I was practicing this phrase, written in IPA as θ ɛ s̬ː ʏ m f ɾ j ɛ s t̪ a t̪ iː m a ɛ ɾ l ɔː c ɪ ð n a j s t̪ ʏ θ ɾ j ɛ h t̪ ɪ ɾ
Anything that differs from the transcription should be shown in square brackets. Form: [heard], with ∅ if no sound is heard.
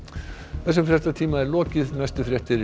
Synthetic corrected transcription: θ ɛ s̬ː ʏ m f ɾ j ɛ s t̪ a [t̪ʰ] iː m a ɛ ɾ l ɔː c ɪ ð n a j s t̪ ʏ [f] ɾ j ɛ h t̪ ɪ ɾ